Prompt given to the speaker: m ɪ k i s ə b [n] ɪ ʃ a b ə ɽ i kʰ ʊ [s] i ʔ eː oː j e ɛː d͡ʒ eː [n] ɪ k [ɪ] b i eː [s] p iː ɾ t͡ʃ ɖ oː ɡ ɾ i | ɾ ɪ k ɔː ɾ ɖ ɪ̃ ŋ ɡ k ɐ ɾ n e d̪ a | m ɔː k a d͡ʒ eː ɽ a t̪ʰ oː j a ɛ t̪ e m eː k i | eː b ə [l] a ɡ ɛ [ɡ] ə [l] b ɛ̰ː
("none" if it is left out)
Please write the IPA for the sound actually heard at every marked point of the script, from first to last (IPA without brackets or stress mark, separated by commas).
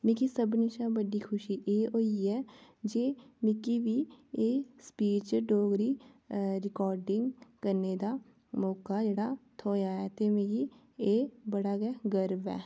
n, ʃ, m, i, s, ɽ, ɡ, ɾ